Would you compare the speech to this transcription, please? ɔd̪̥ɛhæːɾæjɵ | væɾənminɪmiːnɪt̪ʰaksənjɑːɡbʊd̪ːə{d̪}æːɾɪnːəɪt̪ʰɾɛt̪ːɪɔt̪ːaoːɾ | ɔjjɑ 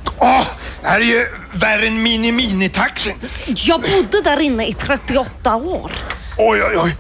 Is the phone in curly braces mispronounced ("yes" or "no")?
no